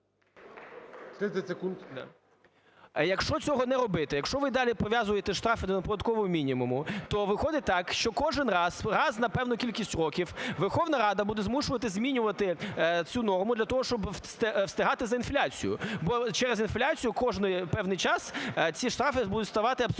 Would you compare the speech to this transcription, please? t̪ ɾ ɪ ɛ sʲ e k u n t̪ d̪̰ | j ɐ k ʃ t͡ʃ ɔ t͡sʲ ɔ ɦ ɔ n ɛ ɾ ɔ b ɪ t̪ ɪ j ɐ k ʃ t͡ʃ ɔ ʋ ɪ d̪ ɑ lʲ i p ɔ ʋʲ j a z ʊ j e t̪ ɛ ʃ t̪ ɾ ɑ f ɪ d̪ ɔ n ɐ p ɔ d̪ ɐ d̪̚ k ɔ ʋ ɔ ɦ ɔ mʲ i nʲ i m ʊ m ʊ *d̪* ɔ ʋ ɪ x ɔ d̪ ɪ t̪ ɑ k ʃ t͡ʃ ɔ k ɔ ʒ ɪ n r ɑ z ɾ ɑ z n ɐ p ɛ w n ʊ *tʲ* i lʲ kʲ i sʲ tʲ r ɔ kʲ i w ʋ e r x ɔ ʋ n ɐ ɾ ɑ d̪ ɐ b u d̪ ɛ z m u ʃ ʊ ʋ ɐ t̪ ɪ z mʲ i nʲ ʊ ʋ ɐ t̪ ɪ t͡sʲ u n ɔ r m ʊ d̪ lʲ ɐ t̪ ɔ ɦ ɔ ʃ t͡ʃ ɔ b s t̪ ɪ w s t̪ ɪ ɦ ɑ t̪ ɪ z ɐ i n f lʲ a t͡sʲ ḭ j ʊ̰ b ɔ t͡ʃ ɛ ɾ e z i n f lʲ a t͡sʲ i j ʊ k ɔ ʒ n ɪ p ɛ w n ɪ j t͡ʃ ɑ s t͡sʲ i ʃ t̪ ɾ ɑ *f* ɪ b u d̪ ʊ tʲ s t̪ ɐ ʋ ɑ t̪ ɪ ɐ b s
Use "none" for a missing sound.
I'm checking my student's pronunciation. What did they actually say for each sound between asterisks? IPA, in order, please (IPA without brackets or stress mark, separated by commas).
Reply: t̪, kʲ, f